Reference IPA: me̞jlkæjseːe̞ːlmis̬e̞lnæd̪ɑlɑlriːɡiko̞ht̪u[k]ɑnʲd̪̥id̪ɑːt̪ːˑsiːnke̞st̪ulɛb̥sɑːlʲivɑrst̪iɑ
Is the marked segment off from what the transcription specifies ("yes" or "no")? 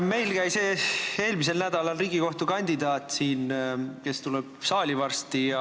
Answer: no